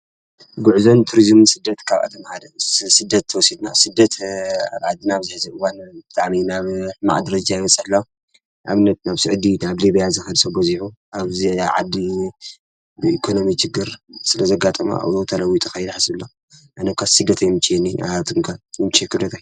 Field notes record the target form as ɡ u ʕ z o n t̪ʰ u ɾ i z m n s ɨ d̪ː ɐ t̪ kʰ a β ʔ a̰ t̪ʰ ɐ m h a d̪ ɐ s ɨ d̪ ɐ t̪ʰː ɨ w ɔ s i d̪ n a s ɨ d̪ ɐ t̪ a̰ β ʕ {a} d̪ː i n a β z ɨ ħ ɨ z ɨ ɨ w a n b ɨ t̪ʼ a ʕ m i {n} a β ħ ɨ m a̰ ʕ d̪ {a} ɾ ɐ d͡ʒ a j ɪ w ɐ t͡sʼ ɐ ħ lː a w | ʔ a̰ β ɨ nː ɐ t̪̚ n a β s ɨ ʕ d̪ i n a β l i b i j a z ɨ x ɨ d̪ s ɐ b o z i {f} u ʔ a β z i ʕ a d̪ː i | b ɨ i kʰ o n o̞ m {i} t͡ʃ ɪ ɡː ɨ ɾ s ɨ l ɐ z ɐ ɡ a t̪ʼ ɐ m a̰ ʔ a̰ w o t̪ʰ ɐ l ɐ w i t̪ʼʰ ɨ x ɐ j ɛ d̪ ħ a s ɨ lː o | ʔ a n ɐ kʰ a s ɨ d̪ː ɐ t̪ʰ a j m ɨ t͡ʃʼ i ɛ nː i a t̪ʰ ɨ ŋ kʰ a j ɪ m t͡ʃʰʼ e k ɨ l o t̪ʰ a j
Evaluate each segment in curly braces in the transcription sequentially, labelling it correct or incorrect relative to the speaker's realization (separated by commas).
correct, correct, incorrect, incorrect, correct